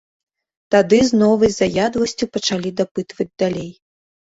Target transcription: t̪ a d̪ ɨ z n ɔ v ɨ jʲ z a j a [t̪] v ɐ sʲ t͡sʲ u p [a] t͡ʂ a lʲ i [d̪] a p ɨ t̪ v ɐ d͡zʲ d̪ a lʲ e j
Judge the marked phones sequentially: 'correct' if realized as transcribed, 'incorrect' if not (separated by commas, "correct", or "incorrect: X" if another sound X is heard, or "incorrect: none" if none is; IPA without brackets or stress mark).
incorrect: d̪, incorrect: ɐ, correct